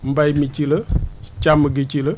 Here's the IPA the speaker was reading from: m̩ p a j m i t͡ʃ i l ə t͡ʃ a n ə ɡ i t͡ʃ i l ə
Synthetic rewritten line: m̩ b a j m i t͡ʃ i l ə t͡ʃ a m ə ɡ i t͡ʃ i l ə

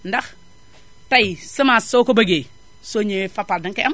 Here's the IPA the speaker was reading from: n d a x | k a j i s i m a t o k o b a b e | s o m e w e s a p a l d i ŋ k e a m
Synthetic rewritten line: n d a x | t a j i s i m a s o k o b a ɡ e | s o ɲ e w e f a p a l d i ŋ k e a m

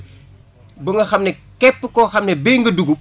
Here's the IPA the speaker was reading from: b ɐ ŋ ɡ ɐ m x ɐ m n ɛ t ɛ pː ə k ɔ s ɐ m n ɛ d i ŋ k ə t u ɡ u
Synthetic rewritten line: b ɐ ŋ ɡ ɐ x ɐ m n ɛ k ɛ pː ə k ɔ x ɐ m n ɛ b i ŋ ɡ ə d u ɡ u

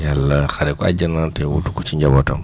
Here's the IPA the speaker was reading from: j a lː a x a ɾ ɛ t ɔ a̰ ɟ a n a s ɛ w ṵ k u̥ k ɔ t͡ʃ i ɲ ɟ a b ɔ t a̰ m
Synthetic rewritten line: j a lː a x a ɾ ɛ k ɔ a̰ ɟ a n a t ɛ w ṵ t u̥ k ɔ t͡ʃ i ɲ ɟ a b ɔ t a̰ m

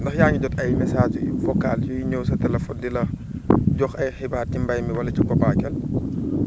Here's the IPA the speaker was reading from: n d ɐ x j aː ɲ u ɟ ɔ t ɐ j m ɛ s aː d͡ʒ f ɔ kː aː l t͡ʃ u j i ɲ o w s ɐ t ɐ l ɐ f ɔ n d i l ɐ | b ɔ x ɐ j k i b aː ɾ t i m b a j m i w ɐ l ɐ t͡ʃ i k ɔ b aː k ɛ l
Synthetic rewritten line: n d ɐ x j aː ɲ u ɟ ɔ t ɐ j m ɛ s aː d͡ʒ f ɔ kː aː l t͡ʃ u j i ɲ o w s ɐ t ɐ l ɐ f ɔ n d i l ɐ | ɟ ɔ x ɐ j x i b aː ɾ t i m b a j m i w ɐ l ɐ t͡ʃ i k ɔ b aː k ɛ l

